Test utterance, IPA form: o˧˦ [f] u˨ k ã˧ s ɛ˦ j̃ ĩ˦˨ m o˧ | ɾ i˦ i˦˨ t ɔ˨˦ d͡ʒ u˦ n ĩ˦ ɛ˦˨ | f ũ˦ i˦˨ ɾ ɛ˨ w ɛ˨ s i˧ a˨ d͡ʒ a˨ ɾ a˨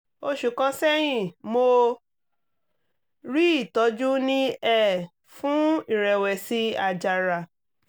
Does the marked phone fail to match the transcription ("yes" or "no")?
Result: yes